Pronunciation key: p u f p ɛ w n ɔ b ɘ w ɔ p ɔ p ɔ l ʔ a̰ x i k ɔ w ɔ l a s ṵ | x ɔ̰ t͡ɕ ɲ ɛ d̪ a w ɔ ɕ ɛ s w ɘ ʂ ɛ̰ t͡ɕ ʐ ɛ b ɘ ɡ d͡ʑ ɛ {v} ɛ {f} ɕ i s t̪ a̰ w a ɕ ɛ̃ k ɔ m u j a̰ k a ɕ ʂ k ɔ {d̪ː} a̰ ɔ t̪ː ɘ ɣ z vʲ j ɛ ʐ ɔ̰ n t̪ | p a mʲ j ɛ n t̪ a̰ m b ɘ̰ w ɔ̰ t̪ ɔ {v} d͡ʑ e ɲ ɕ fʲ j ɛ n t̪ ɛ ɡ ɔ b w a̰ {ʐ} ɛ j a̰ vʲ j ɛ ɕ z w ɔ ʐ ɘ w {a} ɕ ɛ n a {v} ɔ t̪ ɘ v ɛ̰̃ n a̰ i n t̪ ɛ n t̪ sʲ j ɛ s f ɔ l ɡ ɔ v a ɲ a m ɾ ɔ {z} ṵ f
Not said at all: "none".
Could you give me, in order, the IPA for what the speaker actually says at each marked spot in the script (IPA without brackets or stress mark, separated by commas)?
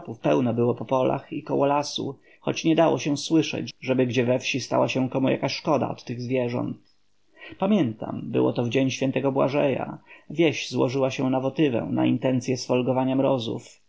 v, f, d̪, v, ʐ, a, v, z